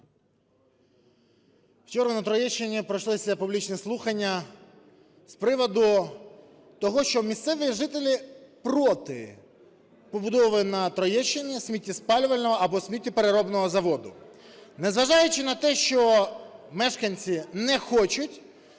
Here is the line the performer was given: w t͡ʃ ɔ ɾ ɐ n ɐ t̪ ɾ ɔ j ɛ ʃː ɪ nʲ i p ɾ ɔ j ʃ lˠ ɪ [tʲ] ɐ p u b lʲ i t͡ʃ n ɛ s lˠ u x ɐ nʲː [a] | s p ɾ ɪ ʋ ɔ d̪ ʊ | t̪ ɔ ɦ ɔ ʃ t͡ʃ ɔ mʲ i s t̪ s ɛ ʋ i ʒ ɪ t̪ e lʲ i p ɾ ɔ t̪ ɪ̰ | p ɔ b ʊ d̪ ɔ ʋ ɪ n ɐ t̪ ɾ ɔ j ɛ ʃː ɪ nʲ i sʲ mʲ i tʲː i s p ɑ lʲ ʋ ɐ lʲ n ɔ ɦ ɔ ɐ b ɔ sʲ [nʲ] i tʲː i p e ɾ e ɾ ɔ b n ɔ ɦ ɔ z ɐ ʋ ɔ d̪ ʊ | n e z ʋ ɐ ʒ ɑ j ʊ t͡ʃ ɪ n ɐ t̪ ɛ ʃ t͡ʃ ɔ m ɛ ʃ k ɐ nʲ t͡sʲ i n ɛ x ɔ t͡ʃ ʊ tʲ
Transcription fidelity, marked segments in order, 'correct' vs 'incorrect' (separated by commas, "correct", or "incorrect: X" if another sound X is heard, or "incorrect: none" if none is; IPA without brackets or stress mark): incorrect: sʲ, incorrect: ɐ, incorrect: mʲ